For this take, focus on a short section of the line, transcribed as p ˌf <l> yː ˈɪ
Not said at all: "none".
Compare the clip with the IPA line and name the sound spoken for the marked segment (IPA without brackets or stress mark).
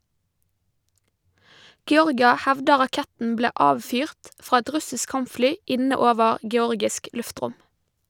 l